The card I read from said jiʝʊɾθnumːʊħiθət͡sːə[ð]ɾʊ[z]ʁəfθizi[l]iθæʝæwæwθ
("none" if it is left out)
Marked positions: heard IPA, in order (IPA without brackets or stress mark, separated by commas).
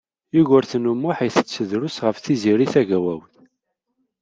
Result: ð, s, ɾ